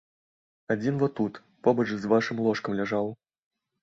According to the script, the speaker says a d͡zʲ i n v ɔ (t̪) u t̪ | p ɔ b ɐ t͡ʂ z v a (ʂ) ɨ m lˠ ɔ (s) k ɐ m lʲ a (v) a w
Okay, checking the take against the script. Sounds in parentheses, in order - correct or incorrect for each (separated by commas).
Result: correct, correct, incorrect, incorrect